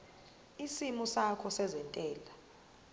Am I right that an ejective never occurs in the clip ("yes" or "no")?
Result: no